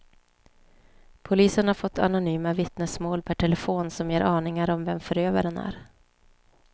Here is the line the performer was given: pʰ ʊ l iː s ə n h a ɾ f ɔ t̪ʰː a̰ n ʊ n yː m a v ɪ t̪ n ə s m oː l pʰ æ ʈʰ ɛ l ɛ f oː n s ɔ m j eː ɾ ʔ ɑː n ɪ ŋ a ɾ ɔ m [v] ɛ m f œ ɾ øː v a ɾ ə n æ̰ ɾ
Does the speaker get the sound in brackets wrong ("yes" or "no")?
no